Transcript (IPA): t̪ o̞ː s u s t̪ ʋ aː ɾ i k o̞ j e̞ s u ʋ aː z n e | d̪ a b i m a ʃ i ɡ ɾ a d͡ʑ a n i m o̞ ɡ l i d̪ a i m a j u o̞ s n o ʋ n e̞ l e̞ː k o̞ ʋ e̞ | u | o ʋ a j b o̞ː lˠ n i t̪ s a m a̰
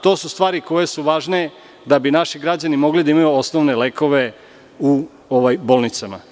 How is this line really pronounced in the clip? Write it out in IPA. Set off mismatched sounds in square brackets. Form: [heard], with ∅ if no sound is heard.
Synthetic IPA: t̪ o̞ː s u s t̪ ʋ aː ɾ i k o̞ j e̞ s u ʋ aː [ʒ] n e | d̪ a b i [n] a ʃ i ɡ ɾ a d͡ʑ a n i m o̞ ɡ l i d̪ a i m a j u o̞ s n o ʋ n e̞ l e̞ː k o̞ ʋ e̞ | u | o ʋ a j b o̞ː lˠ n i t̪ s a m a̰